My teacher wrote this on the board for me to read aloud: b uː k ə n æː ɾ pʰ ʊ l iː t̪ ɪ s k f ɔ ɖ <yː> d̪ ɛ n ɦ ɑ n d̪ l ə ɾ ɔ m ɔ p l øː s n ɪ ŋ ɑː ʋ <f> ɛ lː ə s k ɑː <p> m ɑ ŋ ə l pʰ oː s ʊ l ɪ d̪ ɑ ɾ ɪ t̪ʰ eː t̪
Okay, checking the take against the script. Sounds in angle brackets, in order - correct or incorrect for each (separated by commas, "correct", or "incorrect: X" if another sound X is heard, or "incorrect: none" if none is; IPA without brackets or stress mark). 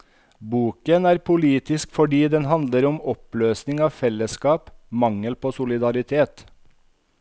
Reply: incorrect: iː, correct, correct